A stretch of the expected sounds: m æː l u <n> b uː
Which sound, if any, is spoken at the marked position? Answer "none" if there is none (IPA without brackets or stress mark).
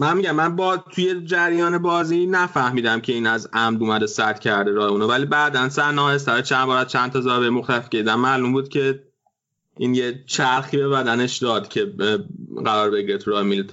m